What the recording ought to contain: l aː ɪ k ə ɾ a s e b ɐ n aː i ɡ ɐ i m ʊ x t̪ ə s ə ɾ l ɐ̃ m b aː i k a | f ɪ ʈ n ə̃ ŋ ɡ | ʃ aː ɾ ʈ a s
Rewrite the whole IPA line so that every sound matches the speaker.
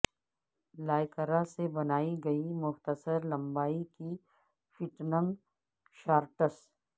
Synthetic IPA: l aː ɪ k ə ɾ a s e b ɐ n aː i ɡ ɐ i m ʊ x t̪ ə s ə ɾ l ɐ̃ m b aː i k i | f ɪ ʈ n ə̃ ŋ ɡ | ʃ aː ɾ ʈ ə s